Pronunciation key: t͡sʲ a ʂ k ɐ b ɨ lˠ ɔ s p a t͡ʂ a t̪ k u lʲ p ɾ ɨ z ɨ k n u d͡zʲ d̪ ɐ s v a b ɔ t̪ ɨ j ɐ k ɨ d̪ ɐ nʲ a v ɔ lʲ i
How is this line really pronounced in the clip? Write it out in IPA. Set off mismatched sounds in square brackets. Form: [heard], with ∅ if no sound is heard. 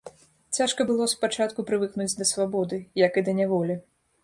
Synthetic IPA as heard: t͡sʲ a ʂ k ɐ b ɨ lˠ ɔ s p a t͡ʂ a t̪ k u [∅] p ɾ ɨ [v] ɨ k n u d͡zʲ d̪ ɐ s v a b ɔ [d̪] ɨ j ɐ k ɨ d̪ ɐ nʲ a v ɔ lʲ i